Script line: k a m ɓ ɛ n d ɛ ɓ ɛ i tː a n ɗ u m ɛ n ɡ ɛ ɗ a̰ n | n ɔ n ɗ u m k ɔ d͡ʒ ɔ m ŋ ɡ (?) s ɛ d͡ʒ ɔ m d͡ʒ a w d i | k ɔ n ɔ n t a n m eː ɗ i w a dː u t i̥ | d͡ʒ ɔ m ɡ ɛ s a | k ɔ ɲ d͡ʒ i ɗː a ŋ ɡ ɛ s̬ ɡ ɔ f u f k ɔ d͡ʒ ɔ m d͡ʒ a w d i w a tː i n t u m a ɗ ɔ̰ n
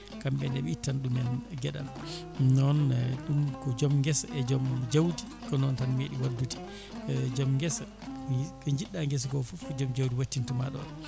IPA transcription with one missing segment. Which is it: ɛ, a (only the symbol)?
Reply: ɛ